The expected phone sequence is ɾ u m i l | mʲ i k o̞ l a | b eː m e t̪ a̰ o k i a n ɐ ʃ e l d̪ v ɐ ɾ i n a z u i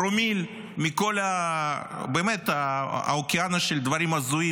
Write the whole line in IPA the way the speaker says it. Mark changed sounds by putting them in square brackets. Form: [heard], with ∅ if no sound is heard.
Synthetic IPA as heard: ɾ [o] m i l | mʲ i k o̞ l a | b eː m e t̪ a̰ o k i a n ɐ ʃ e l d̪ v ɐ ɾ i [m] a z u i